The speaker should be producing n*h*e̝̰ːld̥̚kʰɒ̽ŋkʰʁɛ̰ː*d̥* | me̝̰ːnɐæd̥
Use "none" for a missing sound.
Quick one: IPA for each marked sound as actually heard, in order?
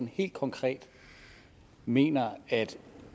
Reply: h, d̥

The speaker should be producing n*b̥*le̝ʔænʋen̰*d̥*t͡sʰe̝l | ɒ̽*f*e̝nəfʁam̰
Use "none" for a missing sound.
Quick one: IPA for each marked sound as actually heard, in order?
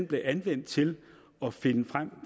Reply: b̥, d̥, f

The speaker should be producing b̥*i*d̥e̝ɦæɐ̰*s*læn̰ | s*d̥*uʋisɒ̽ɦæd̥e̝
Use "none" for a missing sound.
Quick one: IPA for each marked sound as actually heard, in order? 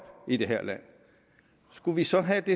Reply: i, none, ɡ̥

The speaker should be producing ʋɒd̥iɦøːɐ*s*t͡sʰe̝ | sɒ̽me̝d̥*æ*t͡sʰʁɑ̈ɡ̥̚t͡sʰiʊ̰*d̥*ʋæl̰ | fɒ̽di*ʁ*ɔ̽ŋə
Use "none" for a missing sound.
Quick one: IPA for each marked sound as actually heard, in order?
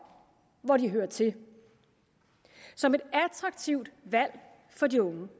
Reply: none, æ, d̥, none

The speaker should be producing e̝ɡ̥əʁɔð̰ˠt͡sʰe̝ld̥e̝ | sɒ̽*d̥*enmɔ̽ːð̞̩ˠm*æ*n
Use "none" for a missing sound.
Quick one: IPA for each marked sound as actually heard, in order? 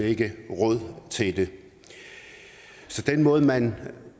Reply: d̥, æ

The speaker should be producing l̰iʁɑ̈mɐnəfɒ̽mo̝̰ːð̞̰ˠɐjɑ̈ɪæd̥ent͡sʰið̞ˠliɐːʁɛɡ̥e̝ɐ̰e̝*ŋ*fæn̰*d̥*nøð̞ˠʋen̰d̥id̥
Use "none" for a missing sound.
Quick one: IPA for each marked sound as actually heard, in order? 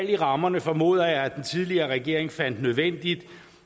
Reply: ŋ, d̥

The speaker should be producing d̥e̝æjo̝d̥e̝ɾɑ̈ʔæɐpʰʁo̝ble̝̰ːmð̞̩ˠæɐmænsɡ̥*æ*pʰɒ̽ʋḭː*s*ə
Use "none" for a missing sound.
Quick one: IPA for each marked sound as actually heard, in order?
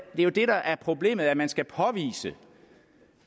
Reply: æ, s

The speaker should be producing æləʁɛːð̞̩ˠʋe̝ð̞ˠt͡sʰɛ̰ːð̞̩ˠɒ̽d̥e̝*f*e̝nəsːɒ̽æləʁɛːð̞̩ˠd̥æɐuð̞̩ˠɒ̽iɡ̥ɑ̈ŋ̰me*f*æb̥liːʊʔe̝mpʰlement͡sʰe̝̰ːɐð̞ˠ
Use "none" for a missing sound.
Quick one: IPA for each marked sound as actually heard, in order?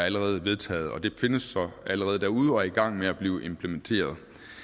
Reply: f, none

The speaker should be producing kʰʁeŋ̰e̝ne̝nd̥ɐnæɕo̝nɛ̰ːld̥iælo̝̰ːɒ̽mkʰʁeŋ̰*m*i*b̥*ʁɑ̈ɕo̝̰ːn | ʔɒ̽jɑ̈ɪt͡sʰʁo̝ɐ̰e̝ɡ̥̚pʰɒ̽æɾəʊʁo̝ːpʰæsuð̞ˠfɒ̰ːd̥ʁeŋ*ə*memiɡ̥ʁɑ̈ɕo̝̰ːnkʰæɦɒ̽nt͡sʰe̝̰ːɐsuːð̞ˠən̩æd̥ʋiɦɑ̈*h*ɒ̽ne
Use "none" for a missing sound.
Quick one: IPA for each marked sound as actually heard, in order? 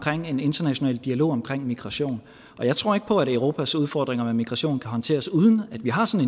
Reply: m, ɡ̥, ɐ, s

